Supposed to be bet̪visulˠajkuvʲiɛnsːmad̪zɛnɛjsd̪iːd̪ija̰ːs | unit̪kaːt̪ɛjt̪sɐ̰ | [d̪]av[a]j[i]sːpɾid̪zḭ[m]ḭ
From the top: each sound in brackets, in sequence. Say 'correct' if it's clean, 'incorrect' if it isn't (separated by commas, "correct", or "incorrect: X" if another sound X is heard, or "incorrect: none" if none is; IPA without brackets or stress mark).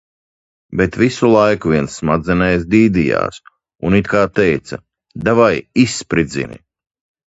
correct, correct, correct, incorrect: n